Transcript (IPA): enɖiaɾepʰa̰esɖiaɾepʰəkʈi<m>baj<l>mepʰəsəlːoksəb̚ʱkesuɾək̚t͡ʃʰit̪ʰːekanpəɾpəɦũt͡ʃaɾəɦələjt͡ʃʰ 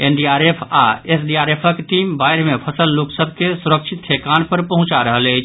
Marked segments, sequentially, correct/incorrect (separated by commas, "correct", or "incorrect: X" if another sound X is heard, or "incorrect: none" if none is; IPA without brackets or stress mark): correct, incorrect: ɾ